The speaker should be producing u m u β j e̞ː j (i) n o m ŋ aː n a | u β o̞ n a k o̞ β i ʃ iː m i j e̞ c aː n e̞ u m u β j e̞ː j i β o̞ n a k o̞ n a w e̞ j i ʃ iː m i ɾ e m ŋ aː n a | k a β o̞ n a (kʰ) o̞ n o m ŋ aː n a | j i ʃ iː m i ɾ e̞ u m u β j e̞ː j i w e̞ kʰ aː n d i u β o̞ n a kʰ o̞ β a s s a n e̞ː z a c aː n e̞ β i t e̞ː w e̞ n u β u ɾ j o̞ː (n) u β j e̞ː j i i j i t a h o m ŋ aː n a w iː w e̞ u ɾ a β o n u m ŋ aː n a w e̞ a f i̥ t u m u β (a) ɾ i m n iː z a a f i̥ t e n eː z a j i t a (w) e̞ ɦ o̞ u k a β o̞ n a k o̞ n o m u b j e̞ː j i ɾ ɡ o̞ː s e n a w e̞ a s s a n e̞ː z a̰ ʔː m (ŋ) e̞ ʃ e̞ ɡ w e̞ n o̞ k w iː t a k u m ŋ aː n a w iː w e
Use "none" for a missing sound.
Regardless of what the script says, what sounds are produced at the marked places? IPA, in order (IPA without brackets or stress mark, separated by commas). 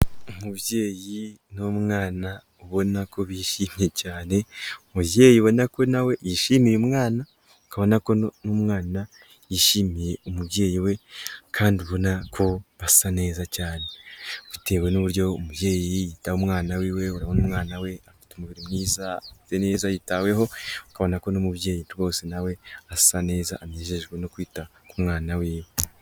i, k, m, i, w, ɲ